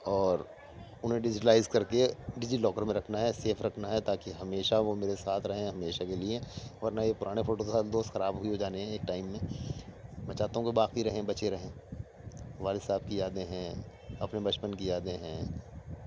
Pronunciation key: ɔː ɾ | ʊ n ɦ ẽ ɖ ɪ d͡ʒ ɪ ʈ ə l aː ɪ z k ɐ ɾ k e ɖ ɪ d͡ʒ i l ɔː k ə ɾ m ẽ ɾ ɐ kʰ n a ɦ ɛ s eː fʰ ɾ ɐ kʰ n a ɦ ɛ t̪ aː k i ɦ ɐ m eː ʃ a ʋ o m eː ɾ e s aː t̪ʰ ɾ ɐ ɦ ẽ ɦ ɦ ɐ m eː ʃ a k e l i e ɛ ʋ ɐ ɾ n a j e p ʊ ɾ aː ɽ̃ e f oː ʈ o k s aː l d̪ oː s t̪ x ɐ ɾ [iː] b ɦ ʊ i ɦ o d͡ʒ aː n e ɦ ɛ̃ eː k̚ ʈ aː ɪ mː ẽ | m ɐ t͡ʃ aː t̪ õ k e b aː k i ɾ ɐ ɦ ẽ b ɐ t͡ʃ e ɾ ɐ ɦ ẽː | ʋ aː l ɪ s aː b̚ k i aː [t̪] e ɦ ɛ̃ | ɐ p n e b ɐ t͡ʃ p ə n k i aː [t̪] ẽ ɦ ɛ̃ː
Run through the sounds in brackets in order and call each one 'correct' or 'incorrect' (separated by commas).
incorrect, incorrect, incorrect